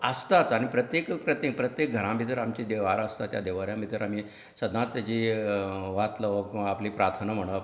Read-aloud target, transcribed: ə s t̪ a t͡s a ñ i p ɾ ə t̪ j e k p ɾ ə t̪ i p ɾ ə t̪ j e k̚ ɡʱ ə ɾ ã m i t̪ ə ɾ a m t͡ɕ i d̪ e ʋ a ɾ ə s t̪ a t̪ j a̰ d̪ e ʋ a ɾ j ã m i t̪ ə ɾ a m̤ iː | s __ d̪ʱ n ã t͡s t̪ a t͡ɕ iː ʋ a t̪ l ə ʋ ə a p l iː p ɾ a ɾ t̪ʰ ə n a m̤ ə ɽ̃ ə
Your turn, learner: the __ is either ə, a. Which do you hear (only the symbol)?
ə